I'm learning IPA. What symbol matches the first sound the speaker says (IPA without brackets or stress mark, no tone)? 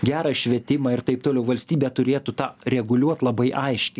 ɡʲ